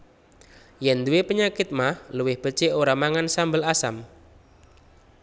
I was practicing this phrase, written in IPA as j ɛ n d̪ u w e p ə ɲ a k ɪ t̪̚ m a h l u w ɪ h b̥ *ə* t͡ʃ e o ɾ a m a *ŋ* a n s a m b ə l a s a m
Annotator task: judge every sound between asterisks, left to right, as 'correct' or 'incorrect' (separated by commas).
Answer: correct, correct